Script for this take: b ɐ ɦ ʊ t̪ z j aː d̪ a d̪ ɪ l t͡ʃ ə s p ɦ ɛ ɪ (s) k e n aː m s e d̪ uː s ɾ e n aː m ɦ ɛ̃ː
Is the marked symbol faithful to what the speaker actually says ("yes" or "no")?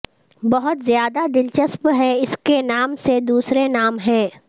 yes